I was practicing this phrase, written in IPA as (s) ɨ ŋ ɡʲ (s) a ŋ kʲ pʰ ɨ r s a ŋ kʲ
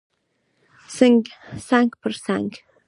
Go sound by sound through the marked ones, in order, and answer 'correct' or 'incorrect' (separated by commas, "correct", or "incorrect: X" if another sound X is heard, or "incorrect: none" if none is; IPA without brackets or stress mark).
correct, correct